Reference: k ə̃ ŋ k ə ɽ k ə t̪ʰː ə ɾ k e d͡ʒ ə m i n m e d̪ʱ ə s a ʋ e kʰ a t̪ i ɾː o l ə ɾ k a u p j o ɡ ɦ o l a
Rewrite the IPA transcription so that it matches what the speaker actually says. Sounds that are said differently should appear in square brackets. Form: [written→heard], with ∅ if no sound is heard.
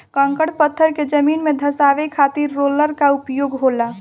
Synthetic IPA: k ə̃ ŋ k ə ɽ [k→p] ə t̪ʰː ə ɾ k e d͡ʒ ə m i n m e d̪ʱ ə s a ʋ e kʰ a t̪ i ɾː o l ə ɾ k a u p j o ɡ ɦ o l a